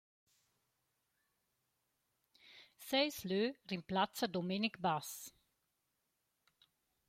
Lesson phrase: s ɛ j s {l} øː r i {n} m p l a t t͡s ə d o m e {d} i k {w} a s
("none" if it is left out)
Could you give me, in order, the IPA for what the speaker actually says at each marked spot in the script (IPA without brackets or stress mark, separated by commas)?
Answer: l, none, n, b